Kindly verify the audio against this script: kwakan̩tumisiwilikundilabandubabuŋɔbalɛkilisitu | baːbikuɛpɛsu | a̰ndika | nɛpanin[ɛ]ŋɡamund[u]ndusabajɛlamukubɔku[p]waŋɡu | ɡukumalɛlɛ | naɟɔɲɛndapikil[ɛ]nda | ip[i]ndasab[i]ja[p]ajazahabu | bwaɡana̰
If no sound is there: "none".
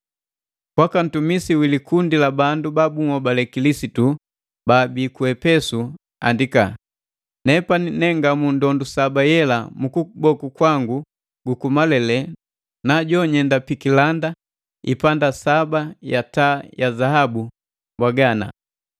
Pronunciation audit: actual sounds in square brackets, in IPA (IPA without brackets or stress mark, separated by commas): ɛ, ɔ, k, a, a, a, t